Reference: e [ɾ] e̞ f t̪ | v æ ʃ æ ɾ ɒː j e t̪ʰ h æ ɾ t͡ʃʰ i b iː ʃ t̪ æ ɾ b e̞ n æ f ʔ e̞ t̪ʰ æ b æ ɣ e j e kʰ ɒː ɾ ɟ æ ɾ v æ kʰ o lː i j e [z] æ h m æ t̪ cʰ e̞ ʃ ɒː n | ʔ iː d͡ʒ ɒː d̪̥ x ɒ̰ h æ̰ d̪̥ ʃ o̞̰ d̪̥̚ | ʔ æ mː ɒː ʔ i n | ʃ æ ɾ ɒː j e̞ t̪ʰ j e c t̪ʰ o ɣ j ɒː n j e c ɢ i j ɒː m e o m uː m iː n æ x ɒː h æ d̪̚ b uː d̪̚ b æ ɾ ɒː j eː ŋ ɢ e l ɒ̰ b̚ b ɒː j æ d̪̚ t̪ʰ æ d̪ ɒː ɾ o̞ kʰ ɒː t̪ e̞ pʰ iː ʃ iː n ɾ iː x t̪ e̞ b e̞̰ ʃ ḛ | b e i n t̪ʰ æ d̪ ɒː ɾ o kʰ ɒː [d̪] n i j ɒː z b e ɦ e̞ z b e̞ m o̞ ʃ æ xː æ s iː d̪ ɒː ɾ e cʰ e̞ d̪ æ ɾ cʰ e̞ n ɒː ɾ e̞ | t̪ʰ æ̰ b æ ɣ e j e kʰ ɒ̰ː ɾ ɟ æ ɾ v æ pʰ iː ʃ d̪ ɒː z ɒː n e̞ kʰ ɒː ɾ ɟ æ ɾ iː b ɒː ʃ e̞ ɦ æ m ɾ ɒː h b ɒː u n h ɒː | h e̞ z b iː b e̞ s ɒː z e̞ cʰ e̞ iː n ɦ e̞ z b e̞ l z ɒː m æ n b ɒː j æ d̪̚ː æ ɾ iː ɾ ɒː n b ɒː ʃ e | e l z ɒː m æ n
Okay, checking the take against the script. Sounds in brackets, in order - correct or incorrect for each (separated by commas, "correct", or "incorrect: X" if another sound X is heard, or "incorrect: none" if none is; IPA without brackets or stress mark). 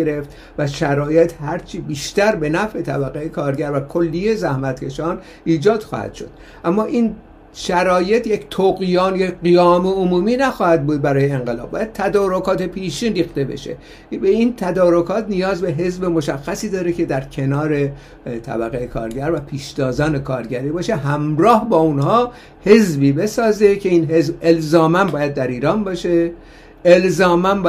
correct, correct, incorrect: t̪